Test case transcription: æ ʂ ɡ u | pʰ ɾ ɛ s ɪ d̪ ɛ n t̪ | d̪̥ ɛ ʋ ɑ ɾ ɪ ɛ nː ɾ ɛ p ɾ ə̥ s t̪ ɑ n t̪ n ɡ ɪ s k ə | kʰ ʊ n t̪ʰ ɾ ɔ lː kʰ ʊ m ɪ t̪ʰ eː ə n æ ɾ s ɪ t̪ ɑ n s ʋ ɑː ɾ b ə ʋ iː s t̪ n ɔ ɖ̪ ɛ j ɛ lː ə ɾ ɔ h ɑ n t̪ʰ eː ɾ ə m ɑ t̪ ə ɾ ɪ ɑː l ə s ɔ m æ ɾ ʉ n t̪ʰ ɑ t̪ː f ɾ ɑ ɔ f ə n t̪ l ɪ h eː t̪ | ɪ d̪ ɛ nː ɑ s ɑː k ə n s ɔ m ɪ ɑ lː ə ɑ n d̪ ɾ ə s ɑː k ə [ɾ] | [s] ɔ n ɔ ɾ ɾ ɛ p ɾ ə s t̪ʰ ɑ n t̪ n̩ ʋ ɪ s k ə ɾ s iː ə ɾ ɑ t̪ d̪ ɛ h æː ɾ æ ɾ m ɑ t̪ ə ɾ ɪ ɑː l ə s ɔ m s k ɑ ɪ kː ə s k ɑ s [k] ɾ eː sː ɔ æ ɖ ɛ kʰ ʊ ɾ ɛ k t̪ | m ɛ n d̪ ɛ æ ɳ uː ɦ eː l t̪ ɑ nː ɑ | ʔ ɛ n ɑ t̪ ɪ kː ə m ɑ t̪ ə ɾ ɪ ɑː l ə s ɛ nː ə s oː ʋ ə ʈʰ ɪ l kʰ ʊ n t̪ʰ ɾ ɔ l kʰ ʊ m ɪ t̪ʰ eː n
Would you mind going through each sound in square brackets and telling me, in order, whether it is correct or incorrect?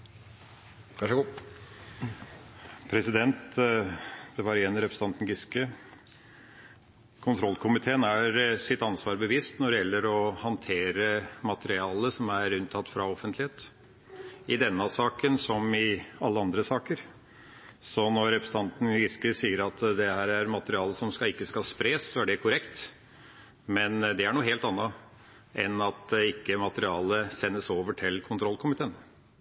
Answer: correct, correct, incorrect: p

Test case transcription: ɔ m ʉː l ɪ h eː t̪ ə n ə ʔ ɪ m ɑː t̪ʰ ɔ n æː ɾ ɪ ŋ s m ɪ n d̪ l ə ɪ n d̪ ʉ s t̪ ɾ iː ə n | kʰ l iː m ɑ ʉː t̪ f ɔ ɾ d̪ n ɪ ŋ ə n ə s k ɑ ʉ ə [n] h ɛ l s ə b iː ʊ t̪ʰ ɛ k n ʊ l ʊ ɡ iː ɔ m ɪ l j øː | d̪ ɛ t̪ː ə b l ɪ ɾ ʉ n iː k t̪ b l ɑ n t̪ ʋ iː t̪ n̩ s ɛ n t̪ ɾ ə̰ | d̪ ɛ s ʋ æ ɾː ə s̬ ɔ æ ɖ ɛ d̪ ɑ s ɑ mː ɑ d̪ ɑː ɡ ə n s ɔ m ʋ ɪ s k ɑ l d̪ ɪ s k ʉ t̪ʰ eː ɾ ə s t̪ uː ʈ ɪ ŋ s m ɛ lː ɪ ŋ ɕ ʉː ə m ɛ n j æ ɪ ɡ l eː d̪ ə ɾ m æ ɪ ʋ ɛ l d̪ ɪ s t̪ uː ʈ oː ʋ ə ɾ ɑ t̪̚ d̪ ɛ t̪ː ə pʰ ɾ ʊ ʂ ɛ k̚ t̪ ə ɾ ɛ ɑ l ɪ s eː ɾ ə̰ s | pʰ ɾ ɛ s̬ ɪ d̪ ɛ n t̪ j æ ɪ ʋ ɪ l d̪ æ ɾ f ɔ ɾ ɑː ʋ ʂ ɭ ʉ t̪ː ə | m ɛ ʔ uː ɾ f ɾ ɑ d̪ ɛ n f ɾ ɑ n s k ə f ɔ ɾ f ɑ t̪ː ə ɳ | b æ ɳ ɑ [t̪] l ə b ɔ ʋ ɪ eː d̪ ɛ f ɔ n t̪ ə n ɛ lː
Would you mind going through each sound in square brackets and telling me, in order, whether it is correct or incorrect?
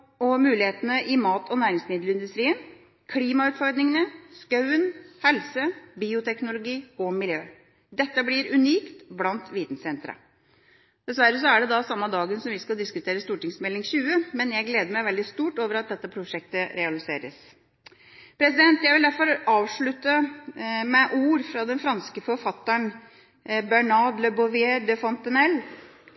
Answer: correct, incorrect: d̪

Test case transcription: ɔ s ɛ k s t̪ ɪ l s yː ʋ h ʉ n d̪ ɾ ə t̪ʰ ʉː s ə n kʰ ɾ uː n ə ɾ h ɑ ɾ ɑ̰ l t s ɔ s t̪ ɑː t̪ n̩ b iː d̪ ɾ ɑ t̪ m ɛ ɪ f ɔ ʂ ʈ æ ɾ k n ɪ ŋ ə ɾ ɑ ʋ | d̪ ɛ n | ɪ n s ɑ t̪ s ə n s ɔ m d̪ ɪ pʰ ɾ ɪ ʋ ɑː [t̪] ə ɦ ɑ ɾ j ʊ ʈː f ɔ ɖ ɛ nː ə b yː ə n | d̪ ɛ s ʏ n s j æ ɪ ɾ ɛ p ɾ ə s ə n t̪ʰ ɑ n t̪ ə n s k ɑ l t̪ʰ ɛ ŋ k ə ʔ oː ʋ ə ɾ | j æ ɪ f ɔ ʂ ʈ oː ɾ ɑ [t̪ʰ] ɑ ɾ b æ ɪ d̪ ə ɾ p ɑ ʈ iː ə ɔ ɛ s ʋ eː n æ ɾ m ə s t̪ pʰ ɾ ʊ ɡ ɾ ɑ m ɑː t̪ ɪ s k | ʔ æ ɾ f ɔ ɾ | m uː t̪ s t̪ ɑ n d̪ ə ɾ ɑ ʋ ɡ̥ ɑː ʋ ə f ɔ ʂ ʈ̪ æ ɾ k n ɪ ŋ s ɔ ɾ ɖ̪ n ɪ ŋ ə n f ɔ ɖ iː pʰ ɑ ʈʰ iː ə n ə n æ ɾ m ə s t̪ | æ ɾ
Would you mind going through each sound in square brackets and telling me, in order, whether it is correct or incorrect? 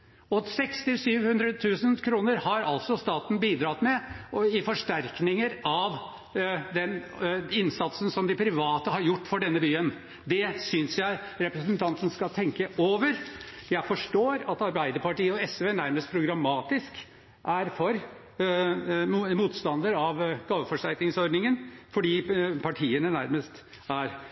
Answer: correct, incorrect: t̪

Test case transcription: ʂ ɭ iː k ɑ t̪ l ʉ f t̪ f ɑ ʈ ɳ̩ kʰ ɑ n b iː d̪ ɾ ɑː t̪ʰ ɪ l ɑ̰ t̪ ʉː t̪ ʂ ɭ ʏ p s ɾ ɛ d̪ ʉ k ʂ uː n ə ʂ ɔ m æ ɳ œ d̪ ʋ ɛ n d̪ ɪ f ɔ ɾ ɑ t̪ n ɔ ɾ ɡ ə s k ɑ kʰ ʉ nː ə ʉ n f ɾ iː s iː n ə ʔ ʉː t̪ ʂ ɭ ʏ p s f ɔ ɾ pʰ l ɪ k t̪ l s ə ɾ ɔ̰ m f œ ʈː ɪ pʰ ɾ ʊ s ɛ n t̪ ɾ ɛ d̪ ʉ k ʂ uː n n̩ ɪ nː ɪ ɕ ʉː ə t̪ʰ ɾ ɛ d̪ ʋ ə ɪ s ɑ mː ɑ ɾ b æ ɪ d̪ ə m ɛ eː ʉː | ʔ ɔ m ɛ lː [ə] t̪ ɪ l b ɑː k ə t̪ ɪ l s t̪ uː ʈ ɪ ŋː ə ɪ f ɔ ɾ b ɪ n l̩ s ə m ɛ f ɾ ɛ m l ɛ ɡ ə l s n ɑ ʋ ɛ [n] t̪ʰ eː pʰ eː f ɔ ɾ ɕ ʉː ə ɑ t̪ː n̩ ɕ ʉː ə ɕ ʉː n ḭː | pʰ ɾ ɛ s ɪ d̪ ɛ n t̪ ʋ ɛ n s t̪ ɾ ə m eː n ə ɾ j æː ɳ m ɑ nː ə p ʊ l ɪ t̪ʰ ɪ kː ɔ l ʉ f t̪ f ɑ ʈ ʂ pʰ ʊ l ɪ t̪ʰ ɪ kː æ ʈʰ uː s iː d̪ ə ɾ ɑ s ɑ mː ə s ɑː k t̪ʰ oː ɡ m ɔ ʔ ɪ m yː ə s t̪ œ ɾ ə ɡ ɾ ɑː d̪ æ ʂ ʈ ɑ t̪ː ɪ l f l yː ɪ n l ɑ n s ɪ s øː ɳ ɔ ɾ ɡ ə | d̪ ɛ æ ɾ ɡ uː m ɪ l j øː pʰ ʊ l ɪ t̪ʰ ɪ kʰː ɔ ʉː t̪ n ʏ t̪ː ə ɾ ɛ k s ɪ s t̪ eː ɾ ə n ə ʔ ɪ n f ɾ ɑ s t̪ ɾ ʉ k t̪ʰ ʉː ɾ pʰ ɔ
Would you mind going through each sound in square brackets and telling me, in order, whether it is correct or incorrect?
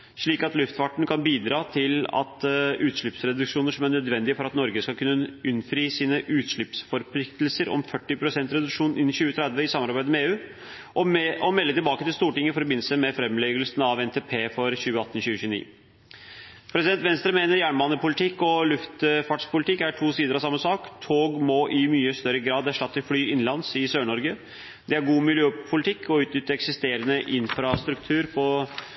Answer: correct, correct

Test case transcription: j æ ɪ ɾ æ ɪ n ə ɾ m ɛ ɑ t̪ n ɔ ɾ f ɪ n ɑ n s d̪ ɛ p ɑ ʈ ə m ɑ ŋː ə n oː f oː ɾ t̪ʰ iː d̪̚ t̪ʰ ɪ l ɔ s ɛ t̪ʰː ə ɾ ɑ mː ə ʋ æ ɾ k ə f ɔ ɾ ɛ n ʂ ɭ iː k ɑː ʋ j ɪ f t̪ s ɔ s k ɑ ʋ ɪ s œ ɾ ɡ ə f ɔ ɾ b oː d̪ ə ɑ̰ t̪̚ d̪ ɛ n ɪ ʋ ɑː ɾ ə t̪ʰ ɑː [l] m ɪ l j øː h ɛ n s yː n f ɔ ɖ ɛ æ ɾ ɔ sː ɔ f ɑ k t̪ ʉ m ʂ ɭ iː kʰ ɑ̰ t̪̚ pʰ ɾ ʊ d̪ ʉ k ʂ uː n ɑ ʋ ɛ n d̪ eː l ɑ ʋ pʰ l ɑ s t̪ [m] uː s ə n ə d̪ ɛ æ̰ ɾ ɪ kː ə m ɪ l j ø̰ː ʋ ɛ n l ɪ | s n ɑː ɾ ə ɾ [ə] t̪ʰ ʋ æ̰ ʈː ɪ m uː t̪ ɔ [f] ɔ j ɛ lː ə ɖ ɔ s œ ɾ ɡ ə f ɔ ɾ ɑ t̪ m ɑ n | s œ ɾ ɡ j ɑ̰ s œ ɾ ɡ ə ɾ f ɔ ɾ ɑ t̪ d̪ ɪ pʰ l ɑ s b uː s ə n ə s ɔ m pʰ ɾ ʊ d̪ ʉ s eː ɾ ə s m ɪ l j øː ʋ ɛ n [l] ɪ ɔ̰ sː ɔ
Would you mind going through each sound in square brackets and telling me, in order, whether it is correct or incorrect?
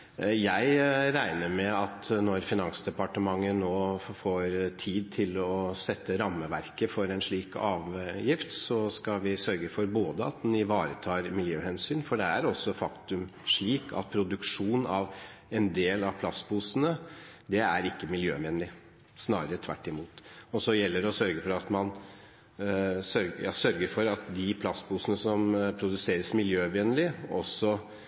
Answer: incorrect: ɾ, incorrect: b, correct, incorrect: s, correct

